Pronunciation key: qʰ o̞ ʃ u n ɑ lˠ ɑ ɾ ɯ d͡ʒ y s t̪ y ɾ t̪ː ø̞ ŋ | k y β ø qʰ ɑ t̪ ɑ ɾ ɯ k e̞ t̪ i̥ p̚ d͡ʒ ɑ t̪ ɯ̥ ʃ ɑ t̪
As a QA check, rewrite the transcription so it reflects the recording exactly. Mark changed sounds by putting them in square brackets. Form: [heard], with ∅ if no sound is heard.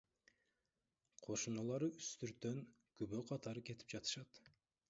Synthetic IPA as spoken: qʰ o̞ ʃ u n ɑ lˠ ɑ ɾ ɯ [∅] y s t̪ y ɾ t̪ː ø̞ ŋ | k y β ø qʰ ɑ t̪ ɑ ɾ ɯ k e̞ t̪ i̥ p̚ d͡ʒ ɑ t̪ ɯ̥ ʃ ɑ t̪